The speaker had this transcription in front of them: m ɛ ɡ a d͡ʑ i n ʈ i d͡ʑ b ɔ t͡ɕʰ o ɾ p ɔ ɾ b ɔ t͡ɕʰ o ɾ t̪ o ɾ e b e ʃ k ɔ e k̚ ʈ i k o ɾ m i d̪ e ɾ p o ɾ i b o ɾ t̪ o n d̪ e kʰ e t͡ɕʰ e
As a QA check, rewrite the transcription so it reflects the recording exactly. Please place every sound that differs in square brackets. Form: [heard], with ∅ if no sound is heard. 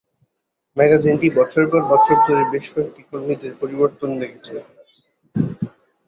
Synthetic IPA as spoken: m ɛ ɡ a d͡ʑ i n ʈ i [∅] b ɔ t͡ɕʰ o ɾ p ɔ ɾ b ɔ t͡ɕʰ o ɾ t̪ o ɾ e b e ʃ k ɔ e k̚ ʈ i k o ɾ m i d̪ e ɾ p o ɾ i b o ɾ t̪ o n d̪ e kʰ e t͡ɕʰ e